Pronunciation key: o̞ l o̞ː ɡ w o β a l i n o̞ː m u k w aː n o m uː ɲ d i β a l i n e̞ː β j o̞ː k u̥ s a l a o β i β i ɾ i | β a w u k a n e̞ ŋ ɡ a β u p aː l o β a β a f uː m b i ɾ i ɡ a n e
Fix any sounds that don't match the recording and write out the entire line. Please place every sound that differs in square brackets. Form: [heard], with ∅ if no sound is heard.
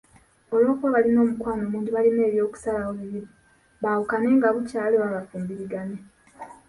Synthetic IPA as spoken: o̞ l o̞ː [k] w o β a l i n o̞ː m u k w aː n o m uː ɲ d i β a l i n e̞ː β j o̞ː k u̥ s a l a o β i β i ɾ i | β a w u k a n e̞ ŋ ɡ a β u [c] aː l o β a β a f uː m b i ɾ i ɡ a n e